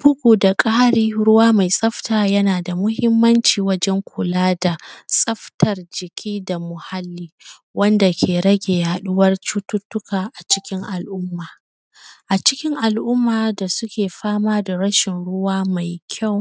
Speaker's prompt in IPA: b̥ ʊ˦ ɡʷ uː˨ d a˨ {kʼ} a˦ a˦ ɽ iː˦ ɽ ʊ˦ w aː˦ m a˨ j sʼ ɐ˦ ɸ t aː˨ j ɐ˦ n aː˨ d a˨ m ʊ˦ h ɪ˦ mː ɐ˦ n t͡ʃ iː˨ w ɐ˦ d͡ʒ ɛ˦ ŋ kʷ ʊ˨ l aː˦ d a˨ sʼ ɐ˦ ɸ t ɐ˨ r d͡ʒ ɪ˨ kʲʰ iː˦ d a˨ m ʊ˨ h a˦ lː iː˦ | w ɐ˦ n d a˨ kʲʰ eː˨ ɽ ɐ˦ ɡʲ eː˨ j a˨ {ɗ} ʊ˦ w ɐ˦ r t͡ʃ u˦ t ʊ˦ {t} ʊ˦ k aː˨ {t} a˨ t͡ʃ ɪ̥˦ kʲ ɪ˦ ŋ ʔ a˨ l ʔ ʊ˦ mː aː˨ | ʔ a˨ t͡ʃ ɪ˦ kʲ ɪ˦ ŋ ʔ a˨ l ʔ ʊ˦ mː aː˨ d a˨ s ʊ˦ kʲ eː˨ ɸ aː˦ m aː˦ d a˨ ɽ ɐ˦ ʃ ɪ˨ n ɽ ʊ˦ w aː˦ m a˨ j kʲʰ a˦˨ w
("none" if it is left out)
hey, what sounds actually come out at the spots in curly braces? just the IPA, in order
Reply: kʼ, ɗ, t, ʔ

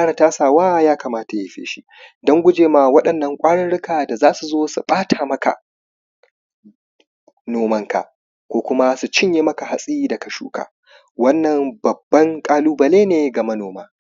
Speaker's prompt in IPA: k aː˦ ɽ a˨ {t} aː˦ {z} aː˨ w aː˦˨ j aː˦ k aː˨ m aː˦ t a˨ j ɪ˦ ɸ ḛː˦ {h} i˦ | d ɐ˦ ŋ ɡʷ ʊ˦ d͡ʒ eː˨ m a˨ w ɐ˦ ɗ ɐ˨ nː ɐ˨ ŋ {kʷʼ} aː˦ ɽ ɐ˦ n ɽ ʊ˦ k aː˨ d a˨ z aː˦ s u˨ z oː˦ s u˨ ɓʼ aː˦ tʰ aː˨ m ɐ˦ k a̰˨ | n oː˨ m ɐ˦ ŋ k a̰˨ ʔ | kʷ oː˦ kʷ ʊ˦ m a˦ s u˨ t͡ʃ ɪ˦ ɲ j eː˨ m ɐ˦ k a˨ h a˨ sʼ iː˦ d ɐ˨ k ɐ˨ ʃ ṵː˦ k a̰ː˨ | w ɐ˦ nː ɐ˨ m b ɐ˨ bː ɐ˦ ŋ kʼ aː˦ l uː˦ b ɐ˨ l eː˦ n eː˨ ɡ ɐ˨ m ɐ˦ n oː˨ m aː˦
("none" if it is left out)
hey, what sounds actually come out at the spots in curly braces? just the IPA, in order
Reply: t, s, ʃ, kʷʼ

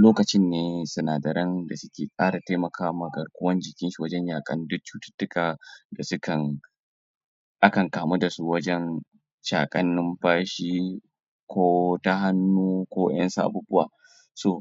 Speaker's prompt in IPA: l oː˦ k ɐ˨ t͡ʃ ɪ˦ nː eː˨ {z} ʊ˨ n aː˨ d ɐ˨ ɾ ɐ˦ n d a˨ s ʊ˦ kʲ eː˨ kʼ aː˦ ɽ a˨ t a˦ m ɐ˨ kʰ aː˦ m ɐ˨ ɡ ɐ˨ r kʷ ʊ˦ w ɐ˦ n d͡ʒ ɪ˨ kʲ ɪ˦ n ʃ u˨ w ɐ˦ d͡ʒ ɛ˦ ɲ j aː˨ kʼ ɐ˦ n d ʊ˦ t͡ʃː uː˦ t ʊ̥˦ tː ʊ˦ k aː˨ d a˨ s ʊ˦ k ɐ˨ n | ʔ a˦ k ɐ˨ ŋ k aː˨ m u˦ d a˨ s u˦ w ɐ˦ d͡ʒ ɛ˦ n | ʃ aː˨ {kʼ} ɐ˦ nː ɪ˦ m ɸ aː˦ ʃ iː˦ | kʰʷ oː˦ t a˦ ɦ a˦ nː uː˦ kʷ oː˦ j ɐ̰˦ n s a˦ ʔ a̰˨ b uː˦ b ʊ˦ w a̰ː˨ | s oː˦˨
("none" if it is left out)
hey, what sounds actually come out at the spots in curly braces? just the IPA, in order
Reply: s, kʼ

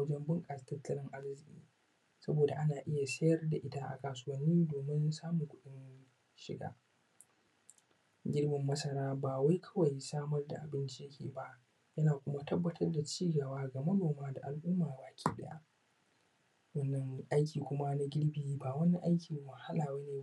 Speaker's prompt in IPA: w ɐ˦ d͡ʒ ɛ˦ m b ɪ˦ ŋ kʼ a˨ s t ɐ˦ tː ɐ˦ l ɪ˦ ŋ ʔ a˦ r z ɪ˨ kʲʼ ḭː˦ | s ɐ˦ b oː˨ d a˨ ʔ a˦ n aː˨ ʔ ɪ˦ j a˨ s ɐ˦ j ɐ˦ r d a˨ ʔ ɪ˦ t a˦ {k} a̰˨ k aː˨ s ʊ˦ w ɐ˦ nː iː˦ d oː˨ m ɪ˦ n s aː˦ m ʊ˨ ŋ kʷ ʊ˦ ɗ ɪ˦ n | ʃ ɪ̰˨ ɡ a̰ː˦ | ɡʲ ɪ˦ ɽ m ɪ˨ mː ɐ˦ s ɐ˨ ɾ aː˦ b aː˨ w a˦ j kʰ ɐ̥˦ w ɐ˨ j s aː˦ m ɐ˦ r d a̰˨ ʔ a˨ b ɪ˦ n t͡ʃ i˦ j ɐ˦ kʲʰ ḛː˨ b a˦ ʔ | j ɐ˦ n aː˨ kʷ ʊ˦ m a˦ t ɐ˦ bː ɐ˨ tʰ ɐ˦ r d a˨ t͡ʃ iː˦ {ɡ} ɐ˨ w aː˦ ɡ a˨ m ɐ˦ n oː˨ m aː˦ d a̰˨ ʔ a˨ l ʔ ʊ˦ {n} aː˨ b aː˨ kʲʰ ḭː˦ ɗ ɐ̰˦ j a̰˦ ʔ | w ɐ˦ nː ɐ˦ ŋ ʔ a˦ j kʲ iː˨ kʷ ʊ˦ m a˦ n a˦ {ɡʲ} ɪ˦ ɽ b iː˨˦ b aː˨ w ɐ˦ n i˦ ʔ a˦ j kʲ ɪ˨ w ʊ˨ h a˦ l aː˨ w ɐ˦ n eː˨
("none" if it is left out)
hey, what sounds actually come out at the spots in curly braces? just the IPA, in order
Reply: ʔ, ɡ, m, ɡʲ

